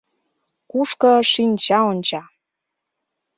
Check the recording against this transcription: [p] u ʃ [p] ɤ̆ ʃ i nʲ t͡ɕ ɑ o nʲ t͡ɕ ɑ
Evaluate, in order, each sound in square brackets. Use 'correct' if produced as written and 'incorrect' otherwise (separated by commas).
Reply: incorrect, incorrect